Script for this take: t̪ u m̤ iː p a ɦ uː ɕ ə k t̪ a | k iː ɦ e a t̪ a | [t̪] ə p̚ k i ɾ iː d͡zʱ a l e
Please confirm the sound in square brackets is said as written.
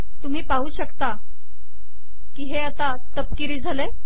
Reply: yes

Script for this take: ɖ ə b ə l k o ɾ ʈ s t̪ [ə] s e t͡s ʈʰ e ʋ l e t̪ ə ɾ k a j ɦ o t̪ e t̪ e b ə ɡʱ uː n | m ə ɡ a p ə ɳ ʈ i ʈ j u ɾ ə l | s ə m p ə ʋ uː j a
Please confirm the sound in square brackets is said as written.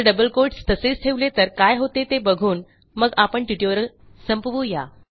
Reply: yes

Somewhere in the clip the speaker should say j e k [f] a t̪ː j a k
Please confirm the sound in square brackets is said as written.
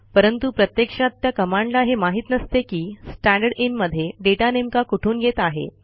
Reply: no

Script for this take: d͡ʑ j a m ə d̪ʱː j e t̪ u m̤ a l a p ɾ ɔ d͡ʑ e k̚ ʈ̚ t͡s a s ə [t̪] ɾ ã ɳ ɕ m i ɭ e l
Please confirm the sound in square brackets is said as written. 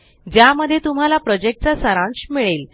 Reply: no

